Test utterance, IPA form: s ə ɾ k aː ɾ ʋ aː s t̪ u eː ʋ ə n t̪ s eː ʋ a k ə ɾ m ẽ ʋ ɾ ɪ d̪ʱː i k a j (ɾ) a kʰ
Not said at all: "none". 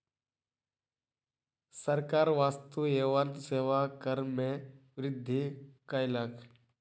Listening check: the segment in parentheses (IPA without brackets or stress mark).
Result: l